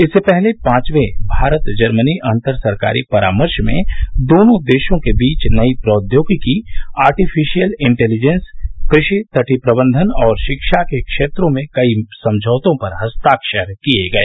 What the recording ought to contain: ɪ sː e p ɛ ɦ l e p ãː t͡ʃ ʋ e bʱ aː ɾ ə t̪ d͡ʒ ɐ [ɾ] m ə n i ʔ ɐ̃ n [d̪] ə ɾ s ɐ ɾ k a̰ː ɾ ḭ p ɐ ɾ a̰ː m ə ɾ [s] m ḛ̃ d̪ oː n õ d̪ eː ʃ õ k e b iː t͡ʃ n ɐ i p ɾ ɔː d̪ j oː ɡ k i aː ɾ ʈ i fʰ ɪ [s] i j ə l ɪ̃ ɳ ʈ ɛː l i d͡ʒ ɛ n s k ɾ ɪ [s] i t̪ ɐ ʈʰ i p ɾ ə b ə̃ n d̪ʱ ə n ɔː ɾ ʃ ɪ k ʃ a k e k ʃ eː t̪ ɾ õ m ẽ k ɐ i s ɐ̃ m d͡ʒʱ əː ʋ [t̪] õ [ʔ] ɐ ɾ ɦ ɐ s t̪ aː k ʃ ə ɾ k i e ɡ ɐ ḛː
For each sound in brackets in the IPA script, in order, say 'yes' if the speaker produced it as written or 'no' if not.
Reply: yes, no, no, no, no, yes, no

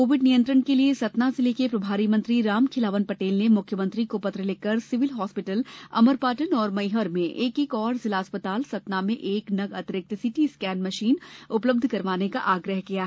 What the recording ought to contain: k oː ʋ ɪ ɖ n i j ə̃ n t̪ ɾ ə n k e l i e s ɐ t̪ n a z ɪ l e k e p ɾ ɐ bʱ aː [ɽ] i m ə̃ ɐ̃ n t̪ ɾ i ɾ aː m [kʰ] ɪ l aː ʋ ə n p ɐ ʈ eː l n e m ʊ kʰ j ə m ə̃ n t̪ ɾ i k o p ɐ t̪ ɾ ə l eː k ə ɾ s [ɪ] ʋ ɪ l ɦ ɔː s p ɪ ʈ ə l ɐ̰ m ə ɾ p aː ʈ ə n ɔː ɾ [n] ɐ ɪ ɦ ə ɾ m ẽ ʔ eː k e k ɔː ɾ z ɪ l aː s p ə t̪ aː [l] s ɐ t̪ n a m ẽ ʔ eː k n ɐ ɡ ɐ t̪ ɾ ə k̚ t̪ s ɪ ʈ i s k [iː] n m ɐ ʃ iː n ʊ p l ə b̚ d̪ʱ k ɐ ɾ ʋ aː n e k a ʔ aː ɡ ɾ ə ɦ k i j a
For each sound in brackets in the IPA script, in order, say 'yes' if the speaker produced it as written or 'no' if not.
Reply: no, yes, yes, no, yes, no

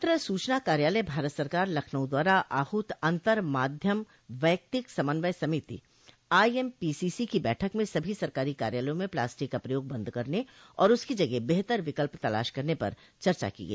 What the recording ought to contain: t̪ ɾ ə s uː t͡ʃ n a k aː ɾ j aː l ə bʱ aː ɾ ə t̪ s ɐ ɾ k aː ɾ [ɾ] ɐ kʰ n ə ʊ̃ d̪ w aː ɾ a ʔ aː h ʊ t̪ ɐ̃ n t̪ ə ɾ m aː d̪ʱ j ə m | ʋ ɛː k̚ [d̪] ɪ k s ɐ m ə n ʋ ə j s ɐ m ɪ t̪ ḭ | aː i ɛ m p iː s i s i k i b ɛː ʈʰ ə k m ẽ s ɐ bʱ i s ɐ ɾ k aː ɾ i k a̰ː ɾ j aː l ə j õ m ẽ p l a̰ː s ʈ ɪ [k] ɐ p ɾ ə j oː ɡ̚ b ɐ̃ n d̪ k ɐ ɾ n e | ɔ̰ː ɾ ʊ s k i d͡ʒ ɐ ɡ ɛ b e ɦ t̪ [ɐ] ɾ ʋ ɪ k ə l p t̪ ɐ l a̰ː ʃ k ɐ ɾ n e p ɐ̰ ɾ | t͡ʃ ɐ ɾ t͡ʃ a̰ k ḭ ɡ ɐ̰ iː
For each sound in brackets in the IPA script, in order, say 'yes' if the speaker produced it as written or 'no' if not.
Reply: no, no, yes, no

